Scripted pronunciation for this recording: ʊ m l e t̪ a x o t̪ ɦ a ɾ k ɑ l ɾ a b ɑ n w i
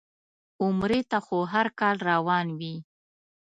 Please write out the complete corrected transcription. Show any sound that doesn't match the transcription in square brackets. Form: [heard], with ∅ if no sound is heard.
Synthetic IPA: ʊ m [ɾ] e t̪ a x o [∅] ɦ a ɾ k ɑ l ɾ a [w] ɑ n w i